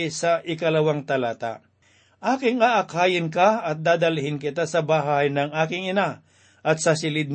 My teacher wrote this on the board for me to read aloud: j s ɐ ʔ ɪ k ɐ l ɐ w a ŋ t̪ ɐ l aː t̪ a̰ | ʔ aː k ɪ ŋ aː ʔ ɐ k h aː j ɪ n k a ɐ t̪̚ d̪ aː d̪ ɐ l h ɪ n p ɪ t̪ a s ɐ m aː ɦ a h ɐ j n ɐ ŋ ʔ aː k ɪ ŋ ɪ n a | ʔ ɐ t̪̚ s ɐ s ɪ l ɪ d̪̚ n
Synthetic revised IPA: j s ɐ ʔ ɪ k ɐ l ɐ w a ŋ t̪ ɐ l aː t̪ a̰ | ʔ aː k ɪ ŋ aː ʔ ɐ k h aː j ɪ n k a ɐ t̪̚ d̪ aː d̪ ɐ l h ɪ n k ɪ t̪ a s ɐ b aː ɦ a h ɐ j n ɐ ŋ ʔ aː k ɪ ŋ ɪ n a | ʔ ɐ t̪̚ s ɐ s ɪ l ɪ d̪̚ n